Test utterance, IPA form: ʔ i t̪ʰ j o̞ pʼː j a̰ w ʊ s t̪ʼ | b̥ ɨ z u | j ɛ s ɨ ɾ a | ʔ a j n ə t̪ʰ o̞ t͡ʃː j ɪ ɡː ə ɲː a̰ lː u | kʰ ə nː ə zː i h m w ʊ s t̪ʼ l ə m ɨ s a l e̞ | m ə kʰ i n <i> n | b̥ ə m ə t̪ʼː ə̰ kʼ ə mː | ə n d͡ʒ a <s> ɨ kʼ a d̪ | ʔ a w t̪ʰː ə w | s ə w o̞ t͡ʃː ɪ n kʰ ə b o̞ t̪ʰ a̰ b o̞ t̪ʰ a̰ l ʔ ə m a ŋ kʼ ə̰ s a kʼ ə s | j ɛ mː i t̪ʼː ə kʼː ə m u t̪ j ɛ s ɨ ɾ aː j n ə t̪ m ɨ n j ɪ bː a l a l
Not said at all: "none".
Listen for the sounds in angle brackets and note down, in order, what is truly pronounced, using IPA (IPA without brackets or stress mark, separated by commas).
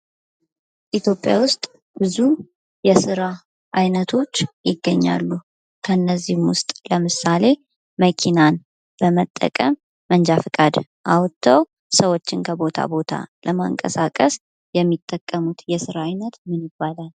a, f